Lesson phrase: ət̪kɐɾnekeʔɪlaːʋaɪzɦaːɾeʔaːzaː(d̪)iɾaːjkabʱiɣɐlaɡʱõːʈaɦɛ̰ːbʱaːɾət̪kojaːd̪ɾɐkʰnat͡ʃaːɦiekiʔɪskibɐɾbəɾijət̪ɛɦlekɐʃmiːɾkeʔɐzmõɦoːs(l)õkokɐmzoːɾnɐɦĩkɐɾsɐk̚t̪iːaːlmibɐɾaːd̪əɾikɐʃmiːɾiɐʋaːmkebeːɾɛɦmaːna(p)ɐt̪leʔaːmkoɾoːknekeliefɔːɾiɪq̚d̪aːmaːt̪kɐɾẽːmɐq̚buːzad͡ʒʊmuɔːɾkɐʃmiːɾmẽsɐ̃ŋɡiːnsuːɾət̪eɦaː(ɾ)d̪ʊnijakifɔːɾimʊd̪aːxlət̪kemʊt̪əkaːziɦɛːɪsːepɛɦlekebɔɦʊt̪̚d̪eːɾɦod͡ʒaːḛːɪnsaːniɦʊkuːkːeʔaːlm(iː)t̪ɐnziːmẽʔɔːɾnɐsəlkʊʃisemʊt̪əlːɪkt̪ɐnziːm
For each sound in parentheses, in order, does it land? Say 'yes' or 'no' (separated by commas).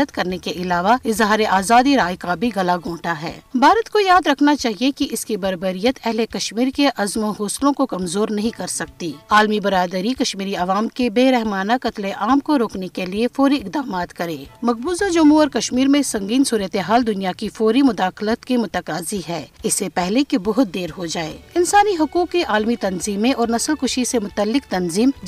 yes, yes, no, no, no